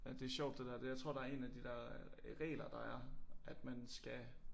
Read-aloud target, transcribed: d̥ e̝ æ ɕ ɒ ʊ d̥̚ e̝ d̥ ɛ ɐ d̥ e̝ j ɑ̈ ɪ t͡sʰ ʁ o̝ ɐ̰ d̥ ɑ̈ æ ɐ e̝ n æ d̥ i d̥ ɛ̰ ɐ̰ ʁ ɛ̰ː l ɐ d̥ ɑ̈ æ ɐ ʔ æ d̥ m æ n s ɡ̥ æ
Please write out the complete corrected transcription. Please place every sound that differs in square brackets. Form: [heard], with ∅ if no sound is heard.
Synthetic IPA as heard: d̥ e̝ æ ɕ ɒ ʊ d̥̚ e̝ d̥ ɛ ɐ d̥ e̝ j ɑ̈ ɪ t͡sʰ ʁ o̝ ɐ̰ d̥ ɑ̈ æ ɐ e̝ n æ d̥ i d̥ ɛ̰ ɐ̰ ʁ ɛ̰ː l ɐ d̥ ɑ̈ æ ɐ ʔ æ d̥ m æ n s ɡ̥ æ